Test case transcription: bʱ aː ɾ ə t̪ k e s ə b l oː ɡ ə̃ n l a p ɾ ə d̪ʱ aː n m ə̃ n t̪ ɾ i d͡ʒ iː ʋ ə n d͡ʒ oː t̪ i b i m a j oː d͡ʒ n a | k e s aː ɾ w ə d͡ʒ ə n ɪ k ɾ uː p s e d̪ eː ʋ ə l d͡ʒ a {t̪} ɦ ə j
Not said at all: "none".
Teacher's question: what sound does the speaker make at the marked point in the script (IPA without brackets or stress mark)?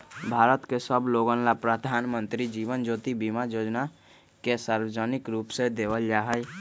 none